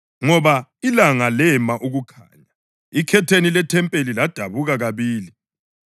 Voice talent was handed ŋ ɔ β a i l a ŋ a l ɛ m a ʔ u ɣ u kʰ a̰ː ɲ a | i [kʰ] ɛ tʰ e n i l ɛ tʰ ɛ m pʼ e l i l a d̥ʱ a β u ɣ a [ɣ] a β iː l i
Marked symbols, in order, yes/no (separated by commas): yes, yes